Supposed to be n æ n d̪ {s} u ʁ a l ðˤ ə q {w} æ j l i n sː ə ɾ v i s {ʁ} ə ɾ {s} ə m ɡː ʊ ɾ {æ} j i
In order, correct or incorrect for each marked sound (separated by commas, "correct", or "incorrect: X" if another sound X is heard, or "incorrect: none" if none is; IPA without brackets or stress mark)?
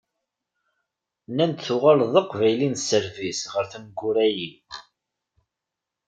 incorrect: θ, incorrect: v, correct, incorrect: θ, correct